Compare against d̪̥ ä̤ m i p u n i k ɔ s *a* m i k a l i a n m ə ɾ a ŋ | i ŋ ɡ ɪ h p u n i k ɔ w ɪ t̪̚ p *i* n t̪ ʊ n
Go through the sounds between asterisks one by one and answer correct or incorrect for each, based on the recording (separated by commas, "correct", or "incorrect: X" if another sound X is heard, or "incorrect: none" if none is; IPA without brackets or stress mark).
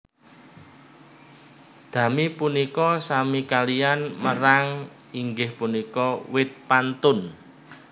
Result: correct, incorrect: a